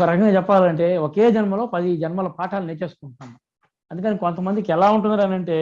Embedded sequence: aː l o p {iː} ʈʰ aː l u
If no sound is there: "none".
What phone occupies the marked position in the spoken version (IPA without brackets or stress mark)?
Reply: aː